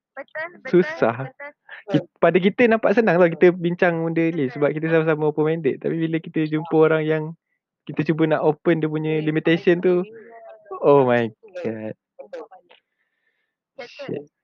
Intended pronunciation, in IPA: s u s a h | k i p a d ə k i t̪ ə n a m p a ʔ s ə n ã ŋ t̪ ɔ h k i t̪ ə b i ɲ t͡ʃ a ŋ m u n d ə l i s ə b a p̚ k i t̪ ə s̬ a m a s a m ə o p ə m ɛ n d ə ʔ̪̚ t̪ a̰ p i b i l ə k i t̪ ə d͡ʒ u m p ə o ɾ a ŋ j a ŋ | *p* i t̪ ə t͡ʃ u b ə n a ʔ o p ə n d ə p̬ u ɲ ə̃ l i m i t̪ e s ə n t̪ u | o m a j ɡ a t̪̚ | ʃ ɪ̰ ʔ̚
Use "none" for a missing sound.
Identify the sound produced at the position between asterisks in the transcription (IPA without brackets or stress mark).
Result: k